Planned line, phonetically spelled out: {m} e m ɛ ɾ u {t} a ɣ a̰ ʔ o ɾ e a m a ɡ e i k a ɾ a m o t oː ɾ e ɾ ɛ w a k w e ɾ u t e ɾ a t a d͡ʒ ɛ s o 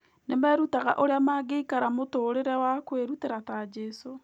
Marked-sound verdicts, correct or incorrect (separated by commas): incorrect, correct